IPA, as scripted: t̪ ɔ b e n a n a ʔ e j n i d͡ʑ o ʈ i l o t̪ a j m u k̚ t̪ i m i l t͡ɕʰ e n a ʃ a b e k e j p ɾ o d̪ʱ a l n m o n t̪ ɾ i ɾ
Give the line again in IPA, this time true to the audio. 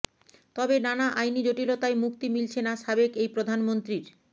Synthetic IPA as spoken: t̪ ɔ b e n a n a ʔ a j n i d͡ʑ o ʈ i l o t̪ a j m u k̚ t̪ i m i l t͡ɕʰ e n a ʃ a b e k e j p ɾ o d̪ʱ a n m o n t̪ ɾ i ɾ

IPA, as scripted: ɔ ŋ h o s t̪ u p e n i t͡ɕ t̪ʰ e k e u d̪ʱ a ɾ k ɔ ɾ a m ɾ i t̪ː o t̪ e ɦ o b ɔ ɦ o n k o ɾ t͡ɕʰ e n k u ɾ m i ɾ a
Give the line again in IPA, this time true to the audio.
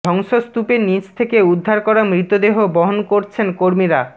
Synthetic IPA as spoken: ɔ ŋ ʃ o s t̪ u p e n i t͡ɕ t̪ʰ e k e u d̪ʱː a ɾ k ɔ ɾ a m ɾ i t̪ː o d̪ e ɦ o b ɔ ɦ o n k o ɾ t͡ɕʰ e n k o ɾ m i ɾ a

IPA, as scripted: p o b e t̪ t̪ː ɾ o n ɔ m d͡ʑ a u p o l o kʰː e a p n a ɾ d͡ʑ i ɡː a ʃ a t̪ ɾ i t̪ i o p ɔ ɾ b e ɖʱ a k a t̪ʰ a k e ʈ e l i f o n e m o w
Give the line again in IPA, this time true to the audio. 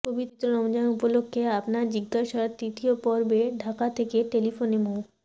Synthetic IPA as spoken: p o b i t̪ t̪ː ɾ o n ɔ m d͡ʑ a u p o l o kʰː e a p n a ɾ d͡ʑ i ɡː a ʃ a t̪ ɾ i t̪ i o p ɔ ɾ b e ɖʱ a k a t̪ʰ e k e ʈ e l i f o n e m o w

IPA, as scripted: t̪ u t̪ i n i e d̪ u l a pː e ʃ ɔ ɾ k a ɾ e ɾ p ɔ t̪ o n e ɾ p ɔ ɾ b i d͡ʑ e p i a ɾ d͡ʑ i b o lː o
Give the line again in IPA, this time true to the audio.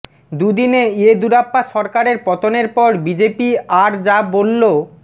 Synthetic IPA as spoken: d̪ u d̪ i n e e d̪ u ɾ a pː a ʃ ɔ ɾ k a ɾ e ɾ p ɔ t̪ o n e ɾ p ɔ ɾ b i d͡ʑ e p i a ɾ d͡ʑ a b o lː o

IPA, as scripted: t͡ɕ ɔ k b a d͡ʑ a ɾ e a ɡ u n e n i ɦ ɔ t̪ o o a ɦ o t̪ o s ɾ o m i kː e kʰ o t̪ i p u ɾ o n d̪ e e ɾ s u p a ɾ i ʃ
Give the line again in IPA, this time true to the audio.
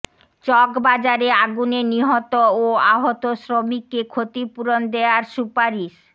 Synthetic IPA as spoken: t͡ɕ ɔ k b a d͡ʑ a ɾ e a ɡ u n e n i ɦ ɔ t̪ o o a ɦ o t̪ o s ɾ o m i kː e kʰ o t̪ i p u ɾ o n d̪ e a ɾ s u p a ɾ i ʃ

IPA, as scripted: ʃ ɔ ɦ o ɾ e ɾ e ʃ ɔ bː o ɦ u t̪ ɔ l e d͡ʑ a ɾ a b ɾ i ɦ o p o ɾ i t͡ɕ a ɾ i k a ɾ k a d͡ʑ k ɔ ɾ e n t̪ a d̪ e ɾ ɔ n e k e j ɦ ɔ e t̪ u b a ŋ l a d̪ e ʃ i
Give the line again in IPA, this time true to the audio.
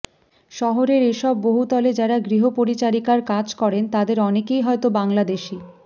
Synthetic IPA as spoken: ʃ ɔ ɦ o ɾ e ɾ e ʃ ɔ bː o ɦ u t̪ ɔ l e d͡ʑ a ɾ a ɡ ɾ i ɦ o p o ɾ i t͡ɕ a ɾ i k a ɾ k a d͡ʑ k ɔ ɾ e n t̪ a d̪ e ɾ ɔ n e k e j ɦ ɔ e t̪ o b a ŋ l a d̪ e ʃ i

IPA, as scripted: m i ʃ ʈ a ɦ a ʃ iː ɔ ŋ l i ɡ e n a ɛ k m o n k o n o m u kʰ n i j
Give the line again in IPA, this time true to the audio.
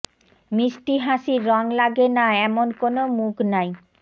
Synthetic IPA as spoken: m i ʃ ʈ i ɦ a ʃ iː ɔ ŋ l a ɡ e n a ɛ m o n k o n o m u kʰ n a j

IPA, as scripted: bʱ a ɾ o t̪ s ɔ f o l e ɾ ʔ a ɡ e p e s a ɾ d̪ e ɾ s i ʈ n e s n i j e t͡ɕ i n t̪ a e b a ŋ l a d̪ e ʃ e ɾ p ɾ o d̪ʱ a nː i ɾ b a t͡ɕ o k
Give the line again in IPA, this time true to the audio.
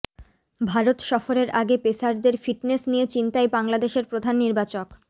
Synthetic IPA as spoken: bʱ a ɾ o t̪ ʃ ɔ f o ɾ e ɾ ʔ a ɡ e p e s a ɾ d̪ e ɾ f i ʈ n e s n i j e t͡ɕ i n t̪ a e b a ŋ l a d̪ e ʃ e ɾ p ɾ o d̪ʱ a nː i ɾ b a t͡ɕ o k

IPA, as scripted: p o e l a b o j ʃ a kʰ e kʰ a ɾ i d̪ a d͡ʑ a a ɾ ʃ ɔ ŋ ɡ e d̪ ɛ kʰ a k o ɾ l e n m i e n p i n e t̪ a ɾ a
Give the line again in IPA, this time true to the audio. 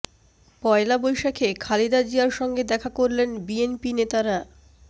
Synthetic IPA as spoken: p ɔ e l a b o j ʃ a kʰ e kʰ a l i d̪ a d͡ʑ i a ɾ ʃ ɔ ŋ ɡ e d̪ ɛ kʰ a k o ɾ l e n b i e n p i n e t̪ a ɾ a

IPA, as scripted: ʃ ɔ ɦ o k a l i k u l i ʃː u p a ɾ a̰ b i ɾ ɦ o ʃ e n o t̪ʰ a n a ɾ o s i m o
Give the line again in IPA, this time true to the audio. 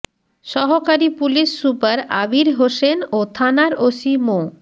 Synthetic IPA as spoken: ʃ ɔ ɦ o k a ɾ i p u l i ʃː u p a ɾ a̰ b i ɾ ɦ o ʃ e n o t̪ʰ a n a ɾ o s i m o

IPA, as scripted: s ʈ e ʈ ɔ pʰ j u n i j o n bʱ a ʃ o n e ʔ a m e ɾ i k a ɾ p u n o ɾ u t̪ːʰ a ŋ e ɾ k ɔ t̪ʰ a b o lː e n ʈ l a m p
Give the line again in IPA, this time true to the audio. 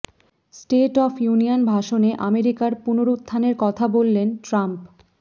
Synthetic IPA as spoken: s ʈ e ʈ ɔ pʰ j u n i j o n bʱ a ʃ o n e ʔ a m e ɾ i k a ɾ p u n o ɾ u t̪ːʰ a n e ɾ k ɔ t̪ʰ a b o lː e n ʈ ɾ a m p

